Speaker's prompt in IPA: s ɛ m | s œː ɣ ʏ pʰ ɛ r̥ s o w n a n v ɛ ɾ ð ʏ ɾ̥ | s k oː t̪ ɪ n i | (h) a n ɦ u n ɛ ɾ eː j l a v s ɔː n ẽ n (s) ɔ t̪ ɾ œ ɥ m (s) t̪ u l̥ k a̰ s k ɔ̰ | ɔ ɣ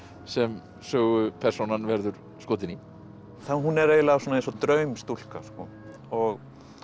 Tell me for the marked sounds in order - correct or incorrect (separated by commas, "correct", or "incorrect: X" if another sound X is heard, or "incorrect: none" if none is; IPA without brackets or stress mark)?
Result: incorrect: θ, correct, correct